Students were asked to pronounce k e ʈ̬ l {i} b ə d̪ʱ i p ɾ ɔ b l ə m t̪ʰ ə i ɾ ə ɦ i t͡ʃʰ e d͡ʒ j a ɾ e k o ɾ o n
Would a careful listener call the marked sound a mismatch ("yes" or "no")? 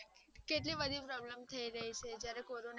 no